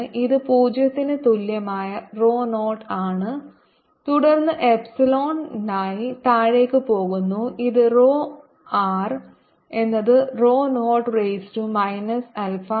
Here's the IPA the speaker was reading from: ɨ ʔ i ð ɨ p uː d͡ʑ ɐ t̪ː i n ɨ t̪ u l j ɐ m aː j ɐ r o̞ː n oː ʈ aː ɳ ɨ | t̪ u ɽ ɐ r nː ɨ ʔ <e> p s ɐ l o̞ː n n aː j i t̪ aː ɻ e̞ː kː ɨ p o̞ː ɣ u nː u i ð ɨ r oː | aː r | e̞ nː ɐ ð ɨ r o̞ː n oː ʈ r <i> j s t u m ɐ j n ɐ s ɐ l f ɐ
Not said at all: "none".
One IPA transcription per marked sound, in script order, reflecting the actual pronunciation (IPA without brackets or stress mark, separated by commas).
e, e